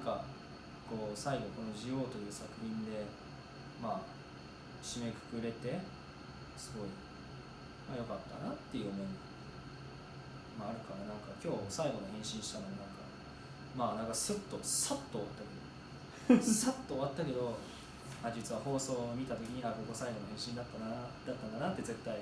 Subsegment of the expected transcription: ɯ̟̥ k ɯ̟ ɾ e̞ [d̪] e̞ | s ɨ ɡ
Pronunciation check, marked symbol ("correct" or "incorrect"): incorrect